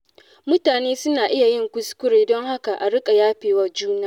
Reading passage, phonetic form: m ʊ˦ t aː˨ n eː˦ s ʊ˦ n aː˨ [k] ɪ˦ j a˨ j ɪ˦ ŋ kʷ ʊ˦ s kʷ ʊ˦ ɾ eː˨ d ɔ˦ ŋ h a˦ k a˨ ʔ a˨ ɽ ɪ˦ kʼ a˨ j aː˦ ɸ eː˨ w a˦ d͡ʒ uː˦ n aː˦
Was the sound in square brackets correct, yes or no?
no